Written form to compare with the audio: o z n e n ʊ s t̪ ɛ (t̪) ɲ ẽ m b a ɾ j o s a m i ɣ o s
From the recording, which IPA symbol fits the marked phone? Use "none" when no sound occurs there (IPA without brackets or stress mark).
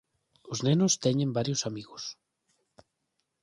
none